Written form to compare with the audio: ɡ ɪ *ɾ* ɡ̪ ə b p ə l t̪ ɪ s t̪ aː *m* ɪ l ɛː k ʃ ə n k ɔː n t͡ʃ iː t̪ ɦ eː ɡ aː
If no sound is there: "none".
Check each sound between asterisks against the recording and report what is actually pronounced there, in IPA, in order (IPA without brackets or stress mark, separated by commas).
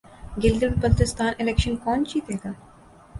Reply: l, n